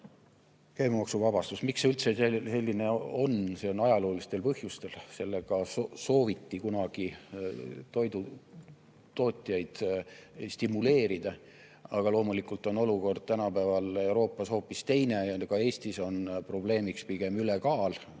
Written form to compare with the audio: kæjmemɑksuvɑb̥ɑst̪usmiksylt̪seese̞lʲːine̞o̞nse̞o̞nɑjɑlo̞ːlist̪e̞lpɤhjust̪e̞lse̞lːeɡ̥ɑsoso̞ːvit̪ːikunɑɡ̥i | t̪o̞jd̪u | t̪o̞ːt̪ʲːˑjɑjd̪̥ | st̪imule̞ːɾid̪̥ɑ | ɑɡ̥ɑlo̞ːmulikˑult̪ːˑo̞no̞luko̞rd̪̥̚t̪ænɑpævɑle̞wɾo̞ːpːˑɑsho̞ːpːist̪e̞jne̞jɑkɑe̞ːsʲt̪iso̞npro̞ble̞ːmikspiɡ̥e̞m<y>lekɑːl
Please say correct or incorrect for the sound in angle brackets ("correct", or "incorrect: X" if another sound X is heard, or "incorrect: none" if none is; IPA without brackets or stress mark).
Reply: correct